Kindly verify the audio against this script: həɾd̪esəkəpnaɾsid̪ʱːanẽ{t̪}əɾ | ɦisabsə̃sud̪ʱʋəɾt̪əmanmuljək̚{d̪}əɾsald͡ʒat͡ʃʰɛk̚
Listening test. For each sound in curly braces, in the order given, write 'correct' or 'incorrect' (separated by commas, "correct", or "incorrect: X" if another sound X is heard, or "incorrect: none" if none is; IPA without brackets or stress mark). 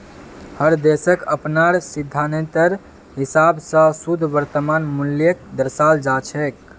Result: correct, correct